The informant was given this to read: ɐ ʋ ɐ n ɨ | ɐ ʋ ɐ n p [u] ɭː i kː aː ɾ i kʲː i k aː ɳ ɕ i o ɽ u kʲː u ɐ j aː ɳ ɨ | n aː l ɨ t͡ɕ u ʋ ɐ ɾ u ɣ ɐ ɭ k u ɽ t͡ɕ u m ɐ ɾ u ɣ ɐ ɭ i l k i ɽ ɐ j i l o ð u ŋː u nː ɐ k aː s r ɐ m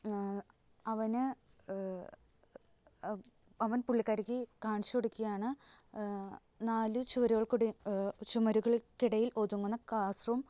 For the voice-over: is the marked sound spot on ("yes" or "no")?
yes